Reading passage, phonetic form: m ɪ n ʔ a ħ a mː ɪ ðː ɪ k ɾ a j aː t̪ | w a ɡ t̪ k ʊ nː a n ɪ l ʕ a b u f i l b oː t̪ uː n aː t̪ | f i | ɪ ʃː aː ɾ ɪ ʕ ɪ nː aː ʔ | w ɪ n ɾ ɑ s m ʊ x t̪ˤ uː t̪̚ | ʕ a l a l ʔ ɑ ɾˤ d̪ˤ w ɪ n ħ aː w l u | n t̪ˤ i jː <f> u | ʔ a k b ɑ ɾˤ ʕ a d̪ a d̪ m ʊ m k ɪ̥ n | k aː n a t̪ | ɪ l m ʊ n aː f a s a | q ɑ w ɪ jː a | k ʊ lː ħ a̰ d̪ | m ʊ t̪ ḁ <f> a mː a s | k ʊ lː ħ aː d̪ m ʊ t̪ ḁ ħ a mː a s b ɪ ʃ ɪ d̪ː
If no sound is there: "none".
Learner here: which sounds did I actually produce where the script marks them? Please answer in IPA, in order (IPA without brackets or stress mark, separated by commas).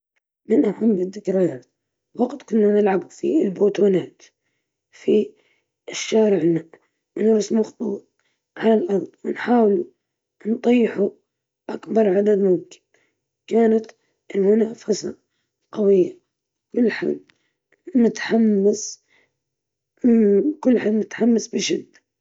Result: ħ, ħ